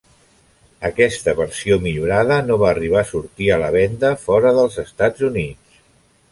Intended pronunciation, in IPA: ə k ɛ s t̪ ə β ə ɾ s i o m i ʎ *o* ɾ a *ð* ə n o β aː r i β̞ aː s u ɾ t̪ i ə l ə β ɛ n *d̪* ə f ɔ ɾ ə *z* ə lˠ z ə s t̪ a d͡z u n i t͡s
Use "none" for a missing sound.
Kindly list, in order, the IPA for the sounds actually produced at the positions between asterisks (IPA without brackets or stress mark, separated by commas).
u, ð, d̪, ð